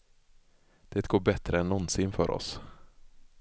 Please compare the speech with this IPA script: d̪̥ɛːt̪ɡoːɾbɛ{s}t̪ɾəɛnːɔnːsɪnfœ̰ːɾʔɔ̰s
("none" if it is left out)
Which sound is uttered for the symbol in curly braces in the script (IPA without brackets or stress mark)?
none